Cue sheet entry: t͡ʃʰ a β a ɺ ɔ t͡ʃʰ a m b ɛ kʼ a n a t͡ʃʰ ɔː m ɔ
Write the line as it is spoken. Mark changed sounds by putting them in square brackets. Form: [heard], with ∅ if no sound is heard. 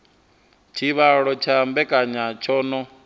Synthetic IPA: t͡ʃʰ [i] β a ɺ ɔ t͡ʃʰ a m b ɛ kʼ a [ɲ] a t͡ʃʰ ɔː [n] ɔ